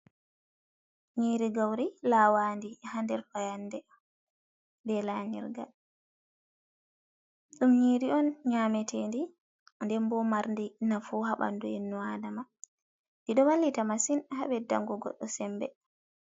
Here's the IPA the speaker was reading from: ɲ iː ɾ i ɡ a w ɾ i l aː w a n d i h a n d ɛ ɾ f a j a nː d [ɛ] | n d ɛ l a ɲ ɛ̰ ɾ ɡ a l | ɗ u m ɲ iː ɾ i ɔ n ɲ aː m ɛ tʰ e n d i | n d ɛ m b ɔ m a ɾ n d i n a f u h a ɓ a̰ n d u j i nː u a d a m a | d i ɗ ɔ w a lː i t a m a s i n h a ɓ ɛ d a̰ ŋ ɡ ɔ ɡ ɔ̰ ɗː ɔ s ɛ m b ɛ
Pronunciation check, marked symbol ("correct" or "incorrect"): correct